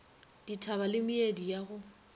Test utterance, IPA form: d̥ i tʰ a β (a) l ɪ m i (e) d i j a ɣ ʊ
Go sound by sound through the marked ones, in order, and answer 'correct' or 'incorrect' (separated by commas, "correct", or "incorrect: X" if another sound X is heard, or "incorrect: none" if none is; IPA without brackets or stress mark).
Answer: correct, correct